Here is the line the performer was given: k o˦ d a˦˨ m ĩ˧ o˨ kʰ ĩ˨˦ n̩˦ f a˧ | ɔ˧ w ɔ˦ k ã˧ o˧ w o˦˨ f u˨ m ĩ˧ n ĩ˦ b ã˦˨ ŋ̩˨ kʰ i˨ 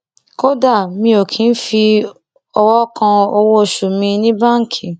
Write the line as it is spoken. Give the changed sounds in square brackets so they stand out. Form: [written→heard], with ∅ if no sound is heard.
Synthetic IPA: k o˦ d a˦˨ m ĩ˧ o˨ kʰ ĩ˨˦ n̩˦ f [a˧→i˧] | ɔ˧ w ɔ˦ k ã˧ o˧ w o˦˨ [f→ʃ] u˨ m ĩ˧ n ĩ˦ b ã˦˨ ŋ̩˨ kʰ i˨